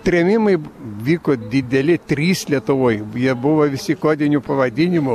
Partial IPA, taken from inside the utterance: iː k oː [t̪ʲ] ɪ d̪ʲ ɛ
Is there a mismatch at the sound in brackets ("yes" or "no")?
yes